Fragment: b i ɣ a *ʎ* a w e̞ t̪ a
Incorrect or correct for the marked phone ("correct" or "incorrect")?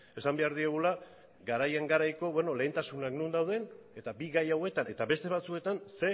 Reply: incorrect